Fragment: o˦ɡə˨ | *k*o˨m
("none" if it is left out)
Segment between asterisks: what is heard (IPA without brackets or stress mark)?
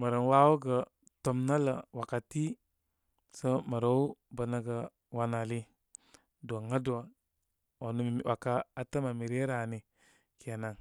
t